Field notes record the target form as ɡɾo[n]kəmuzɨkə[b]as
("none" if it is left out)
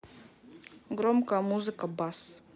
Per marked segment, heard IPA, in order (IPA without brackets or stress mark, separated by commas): m, b